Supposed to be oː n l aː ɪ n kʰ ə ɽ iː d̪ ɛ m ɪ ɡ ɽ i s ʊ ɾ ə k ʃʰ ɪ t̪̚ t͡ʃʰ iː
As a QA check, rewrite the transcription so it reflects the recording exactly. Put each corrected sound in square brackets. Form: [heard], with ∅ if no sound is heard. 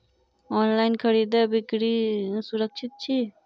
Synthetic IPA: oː n l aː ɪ n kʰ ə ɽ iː d̪ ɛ [b] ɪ [k] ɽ i s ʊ ɾ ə k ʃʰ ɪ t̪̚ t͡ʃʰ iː